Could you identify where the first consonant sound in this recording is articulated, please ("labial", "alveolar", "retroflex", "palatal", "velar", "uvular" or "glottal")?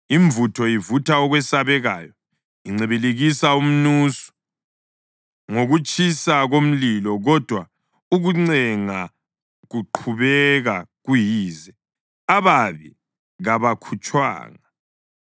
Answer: labial